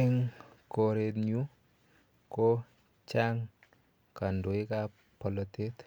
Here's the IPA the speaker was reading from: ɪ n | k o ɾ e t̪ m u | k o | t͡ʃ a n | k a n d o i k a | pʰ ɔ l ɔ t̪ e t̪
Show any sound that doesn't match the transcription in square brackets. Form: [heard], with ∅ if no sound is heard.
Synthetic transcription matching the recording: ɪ [ŋ] | k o ɾ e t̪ [ɲ] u | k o | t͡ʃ a [ŋ] | k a n d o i k a | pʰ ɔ l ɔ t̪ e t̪